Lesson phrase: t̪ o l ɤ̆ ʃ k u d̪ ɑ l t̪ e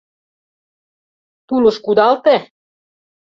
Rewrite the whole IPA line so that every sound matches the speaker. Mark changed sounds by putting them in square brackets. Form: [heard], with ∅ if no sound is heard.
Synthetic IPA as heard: t̪ [u] l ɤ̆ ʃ k u d̪ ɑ l t̪ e

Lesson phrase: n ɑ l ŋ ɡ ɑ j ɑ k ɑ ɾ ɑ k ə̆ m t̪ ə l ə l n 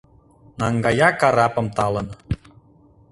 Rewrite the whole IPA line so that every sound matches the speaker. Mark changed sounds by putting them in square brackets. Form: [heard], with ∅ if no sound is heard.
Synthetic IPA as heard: n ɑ [∅] ŋ ɡ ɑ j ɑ k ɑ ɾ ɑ [p] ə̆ m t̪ [ɑ] l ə [∅] n

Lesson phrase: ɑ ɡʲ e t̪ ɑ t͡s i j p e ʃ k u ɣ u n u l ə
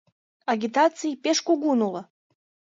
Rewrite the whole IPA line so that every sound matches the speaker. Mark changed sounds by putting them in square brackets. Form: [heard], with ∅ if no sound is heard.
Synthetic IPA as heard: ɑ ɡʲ [i] t̪ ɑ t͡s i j p e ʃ k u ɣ u n u l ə

